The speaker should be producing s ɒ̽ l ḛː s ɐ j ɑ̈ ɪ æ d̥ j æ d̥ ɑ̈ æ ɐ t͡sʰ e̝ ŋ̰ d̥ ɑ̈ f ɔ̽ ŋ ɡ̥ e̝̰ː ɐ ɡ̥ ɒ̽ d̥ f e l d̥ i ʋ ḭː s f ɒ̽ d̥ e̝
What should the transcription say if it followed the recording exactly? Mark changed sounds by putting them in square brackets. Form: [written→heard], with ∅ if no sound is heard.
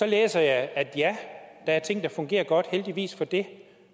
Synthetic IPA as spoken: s ɒ̽ l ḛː s ɐ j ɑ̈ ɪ æ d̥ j æ d̥ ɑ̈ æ ɐ t͡sʰ e̝ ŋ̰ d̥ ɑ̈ f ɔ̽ ŋ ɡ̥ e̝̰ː ɐ ɡ̥ ɒ̽ d̥ [f→h] e l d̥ i ʋ ḭː s f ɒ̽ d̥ e̝